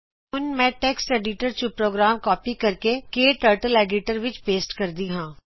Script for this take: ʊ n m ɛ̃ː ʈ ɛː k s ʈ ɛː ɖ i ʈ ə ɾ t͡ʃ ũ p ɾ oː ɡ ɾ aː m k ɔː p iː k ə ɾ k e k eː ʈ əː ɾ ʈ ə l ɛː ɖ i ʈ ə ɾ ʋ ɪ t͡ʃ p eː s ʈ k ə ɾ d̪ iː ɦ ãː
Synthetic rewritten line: ʊ n m ɛ̃ː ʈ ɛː k s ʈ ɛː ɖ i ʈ ə ɾ t͡ʃ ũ p ɾ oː ɡ ɾ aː m k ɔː p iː k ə ɾ k e k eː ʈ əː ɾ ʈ ə l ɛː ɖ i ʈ ə ɾ ʋ ɪ t͡ʃ p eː s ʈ k ə ɾ d̪ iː ɦ ãː